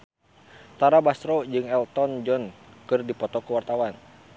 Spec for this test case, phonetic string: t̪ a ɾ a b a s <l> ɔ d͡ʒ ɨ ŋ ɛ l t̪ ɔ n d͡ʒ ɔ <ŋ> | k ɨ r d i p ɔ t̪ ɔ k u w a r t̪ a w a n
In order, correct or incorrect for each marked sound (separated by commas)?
incorrect, incorrect